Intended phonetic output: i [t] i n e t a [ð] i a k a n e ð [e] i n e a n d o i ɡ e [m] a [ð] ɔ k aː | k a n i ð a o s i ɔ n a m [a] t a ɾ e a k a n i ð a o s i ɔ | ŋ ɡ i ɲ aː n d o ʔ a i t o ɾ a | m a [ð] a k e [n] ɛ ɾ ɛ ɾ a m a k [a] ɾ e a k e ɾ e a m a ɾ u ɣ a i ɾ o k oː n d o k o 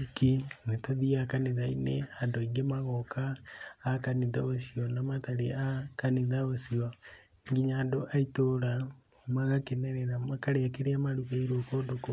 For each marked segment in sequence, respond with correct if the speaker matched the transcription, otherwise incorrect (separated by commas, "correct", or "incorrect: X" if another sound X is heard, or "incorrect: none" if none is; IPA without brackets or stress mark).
incorrect: k, correct, incorrect: a, correct, incorrect: ɣ, correct, incorrect: ɣ, correct, correct